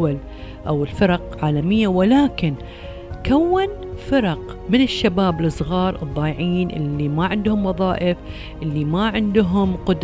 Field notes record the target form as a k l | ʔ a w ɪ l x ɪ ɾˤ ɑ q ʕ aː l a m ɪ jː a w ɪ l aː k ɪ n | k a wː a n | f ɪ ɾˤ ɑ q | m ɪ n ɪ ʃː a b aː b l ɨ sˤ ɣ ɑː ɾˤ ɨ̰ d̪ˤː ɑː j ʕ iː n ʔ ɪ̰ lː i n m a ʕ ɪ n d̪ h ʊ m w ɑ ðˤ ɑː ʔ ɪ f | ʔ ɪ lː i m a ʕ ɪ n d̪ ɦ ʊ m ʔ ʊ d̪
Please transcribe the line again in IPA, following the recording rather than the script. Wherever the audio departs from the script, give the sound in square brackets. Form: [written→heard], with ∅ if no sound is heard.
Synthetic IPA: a [k→∅] l | ʔ a w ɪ l [x→f] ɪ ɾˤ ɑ q ʕ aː l a m ɪ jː a w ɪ l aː k ɪ n | k a wː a n | f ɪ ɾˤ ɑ q | m ɪ n ɪ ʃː a b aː b l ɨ sˤ ɣ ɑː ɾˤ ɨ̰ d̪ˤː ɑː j ʕ iː n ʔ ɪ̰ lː i [n→∅] m a ʕ ɪ n d̪ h ʊ m w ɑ ðˤ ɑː ʔ ɪ f | ʔ ɪ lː i m a ʕ ɪ n d̪ ɦ ʊ m [ʔ→q] ʊ d̪